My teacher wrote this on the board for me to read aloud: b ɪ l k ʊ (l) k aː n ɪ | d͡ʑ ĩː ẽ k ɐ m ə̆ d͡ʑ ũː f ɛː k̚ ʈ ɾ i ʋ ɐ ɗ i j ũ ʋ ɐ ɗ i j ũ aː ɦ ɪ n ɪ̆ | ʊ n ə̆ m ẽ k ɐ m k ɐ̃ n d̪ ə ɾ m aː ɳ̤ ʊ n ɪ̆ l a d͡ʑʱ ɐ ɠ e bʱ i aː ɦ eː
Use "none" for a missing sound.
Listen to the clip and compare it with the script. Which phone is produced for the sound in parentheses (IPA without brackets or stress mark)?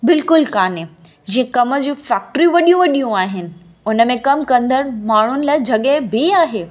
l